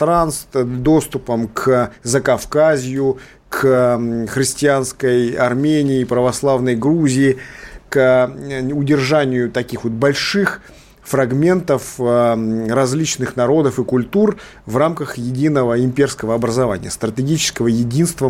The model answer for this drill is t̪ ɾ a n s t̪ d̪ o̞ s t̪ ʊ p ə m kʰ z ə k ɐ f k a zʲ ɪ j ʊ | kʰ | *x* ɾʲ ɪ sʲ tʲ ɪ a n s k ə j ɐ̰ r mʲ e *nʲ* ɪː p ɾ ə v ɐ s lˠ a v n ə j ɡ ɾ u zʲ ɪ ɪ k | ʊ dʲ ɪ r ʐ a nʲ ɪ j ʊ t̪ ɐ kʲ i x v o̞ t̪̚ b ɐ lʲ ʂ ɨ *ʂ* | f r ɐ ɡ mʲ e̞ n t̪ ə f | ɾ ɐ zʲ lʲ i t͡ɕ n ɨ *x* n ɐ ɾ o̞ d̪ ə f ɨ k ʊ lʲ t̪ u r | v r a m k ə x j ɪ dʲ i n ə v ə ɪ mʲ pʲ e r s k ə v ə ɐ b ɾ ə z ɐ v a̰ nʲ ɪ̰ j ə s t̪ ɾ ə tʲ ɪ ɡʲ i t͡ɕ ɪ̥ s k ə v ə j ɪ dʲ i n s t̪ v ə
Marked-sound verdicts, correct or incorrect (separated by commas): correct, correct, incorrect, correct